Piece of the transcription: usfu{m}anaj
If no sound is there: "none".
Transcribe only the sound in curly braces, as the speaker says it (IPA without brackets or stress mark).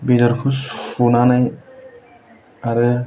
n